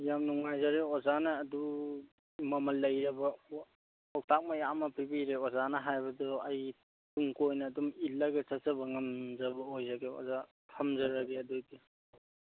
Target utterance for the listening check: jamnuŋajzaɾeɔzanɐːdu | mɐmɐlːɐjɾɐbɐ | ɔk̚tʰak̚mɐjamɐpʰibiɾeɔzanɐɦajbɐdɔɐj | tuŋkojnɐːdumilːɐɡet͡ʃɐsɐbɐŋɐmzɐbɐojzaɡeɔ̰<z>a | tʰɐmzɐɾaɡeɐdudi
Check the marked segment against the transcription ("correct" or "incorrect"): correct